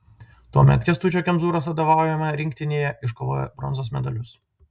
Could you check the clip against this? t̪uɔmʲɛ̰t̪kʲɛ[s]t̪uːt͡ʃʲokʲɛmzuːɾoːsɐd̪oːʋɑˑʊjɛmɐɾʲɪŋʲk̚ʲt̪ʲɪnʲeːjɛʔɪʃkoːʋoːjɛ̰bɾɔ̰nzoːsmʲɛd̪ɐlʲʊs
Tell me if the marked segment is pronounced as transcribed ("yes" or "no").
yes